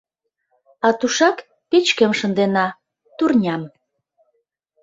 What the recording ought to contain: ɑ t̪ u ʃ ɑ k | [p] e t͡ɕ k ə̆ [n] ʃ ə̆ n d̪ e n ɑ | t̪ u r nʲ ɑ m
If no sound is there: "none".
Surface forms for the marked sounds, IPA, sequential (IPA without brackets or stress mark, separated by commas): p, m